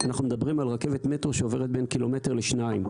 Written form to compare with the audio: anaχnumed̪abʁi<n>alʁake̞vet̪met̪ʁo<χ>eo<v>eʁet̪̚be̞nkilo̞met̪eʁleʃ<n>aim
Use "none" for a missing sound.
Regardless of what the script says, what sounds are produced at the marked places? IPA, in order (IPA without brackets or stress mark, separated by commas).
m, ʃ, v, n